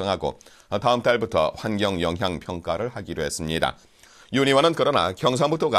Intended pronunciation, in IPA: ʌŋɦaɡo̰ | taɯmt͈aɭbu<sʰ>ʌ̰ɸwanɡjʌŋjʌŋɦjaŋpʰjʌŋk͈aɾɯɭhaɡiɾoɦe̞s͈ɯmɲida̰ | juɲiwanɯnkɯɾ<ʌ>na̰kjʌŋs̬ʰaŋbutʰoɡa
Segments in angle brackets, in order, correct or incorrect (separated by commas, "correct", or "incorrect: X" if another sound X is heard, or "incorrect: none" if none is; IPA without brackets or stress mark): incorrect: tʰ, correct